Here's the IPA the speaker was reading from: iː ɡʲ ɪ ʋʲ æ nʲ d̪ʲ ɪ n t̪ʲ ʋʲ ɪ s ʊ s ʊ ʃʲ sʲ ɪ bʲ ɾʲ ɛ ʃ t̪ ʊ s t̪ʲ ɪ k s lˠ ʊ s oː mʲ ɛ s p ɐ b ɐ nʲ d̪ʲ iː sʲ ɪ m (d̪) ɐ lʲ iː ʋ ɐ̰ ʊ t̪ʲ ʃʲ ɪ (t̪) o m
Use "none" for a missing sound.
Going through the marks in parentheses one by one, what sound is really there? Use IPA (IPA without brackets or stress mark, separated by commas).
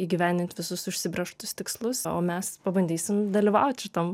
d̪, t̪